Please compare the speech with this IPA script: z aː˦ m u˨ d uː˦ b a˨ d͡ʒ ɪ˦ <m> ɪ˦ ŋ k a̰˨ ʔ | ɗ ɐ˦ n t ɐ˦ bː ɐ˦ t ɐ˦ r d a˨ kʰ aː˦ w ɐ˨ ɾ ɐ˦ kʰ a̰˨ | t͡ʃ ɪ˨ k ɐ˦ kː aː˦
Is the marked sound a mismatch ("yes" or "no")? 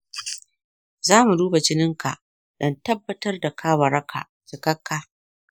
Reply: yes